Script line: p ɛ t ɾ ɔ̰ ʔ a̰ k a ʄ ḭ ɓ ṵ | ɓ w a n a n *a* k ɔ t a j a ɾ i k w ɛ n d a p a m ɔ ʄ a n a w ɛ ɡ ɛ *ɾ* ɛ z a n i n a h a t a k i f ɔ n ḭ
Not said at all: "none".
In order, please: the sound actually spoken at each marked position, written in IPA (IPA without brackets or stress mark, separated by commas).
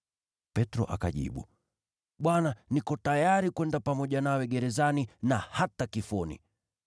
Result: i, ɾ